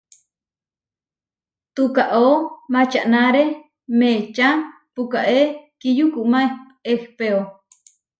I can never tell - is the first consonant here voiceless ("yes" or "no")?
yes